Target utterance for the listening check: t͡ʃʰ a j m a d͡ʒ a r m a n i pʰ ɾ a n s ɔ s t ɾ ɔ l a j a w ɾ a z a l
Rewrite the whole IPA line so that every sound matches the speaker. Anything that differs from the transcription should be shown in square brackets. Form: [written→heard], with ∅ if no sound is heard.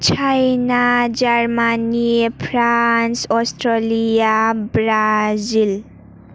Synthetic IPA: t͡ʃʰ a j [m→n] a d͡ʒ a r m a n i pʰ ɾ a n s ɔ s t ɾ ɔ l [a→i] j a [w→b] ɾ a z [a→i] l